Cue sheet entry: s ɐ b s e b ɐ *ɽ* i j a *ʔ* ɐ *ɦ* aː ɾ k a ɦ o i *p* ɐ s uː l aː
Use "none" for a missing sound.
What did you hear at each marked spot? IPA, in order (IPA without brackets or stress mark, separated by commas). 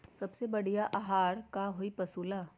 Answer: ɽ, ʔ, ɦ, p